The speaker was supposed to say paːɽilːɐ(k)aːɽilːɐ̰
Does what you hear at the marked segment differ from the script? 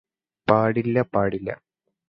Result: yes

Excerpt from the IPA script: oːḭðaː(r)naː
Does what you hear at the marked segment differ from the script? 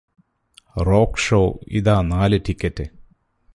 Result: yes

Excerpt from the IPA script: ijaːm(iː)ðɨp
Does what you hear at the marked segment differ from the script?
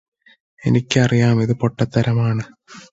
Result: yes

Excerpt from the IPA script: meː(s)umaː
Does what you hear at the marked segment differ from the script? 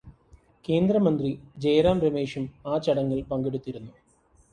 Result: yes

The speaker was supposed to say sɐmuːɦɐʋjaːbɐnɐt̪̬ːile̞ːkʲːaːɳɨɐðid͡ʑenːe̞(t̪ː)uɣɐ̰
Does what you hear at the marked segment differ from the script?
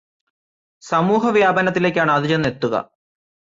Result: no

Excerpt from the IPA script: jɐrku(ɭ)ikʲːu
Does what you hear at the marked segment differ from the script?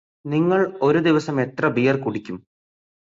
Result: yes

